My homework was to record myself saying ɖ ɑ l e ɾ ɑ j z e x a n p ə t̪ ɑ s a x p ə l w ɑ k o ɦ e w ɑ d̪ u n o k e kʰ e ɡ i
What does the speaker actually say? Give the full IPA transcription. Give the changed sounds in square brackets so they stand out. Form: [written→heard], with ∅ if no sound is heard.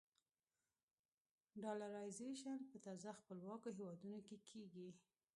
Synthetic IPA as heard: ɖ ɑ l [e→a] ɾ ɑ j z e [x→ʃ] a n p ə t̪ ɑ [s→z] a x p ə l w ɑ k o ɦ e w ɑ d̪ u n o k e kʰ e ɡ i